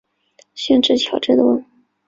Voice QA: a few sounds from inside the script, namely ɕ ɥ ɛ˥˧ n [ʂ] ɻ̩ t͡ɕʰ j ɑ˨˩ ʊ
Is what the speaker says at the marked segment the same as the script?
no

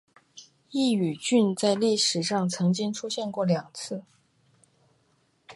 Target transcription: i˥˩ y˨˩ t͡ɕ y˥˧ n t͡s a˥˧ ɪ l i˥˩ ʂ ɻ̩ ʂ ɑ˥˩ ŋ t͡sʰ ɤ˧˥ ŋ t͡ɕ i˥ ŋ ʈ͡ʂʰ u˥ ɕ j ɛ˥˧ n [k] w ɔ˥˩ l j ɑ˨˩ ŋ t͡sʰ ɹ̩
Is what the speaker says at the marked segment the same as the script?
yes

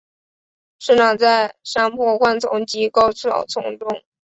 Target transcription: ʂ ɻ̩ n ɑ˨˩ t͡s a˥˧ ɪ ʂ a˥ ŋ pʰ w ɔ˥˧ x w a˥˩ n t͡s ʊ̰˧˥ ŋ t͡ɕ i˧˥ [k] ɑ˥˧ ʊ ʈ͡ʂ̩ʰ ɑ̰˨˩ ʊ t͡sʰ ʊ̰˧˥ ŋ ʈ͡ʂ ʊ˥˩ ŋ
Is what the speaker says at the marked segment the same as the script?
yes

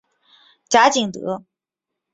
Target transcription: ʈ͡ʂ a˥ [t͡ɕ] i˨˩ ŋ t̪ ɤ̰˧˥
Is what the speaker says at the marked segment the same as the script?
yes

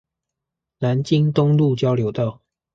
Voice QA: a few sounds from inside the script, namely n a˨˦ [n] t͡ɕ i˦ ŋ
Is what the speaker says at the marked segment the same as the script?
yes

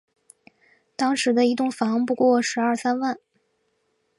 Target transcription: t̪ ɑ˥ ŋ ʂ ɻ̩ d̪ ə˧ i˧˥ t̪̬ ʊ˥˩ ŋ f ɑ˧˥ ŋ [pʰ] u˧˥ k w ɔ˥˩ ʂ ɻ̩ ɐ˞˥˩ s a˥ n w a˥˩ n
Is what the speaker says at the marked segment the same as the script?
no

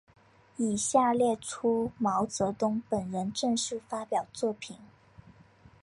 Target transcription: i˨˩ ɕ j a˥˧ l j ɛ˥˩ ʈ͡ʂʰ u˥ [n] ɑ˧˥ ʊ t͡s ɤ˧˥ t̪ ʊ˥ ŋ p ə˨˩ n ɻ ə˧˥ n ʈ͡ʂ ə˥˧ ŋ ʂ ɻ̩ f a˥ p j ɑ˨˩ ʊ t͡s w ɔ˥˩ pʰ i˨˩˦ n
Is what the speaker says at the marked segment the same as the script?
no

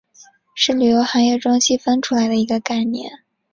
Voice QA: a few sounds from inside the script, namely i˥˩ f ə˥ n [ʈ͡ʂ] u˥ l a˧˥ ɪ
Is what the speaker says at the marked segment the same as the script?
no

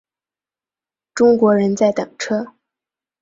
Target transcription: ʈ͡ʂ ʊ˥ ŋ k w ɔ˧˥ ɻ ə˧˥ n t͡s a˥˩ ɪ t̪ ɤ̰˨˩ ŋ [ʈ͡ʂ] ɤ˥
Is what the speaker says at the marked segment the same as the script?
no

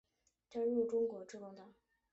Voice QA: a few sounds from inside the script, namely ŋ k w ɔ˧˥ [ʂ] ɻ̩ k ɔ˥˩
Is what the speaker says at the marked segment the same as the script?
no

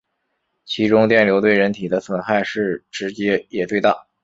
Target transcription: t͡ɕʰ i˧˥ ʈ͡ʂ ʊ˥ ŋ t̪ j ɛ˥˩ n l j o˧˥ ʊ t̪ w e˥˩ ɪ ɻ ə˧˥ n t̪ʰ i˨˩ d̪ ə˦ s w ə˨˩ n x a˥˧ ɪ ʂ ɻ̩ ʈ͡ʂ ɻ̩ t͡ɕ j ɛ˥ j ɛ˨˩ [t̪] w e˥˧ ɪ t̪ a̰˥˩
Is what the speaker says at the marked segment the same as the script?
yes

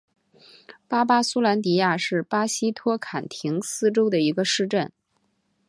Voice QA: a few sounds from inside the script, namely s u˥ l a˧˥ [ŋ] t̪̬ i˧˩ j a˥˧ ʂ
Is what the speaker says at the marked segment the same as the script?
no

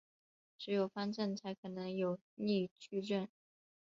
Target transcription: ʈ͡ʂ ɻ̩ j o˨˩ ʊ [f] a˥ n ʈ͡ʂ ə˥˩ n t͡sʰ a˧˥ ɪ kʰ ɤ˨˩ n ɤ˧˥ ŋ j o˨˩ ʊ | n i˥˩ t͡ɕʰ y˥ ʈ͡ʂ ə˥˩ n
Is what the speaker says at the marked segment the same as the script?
yes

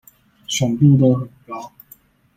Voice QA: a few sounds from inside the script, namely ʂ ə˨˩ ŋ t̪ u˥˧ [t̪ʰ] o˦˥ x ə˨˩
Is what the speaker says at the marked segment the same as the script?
no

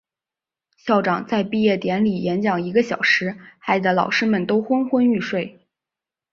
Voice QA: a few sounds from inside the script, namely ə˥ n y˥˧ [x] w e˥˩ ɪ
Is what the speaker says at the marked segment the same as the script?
no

